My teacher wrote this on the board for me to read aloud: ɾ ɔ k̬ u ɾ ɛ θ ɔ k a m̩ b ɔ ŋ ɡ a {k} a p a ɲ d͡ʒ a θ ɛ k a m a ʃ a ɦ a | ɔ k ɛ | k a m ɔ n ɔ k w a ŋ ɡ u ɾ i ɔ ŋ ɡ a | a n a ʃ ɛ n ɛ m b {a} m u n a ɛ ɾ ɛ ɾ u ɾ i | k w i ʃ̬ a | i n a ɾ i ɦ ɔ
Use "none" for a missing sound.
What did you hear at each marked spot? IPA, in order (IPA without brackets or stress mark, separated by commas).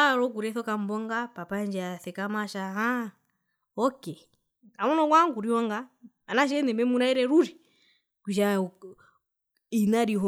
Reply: p, ɛ